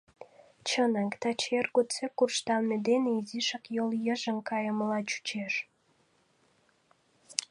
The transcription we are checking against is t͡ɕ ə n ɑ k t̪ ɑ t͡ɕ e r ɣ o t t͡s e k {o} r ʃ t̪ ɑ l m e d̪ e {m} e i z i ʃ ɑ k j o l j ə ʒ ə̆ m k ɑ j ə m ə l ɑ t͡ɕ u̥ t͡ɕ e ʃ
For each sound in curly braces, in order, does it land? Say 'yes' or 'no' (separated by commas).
no, no